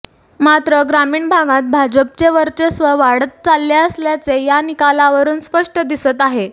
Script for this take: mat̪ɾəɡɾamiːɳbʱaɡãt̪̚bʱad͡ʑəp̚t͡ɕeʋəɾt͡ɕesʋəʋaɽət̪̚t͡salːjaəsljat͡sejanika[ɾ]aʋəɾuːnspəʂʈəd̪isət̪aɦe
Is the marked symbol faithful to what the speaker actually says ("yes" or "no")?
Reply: no